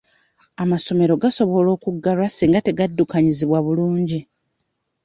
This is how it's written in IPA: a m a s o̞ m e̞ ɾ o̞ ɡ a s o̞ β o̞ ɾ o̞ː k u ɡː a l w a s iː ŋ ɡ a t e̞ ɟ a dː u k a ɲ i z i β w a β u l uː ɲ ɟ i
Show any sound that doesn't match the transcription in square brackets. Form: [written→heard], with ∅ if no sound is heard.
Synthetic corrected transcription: a m a s o̞ m e̞ ɾ o̞ ɡ a s o̞ β o̞ [ɾ→l] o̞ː k u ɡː a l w a s iː ŋ ɡ a t e̞ [ɟ→ɡ] a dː u k a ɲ i z i β w a β u l uː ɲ ɟ i